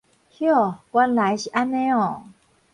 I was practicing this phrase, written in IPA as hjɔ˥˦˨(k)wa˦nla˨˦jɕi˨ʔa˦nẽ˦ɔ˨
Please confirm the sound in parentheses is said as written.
yes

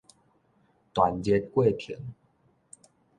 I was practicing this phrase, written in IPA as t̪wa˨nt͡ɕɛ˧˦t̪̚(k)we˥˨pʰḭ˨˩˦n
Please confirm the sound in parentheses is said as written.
yes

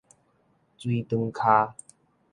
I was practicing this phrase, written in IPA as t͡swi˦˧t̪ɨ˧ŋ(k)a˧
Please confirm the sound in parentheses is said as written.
no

